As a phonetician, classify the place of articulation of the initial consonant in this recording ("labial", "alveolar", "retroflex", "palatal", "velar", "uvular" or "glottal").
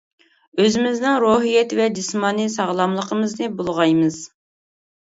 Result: alveolar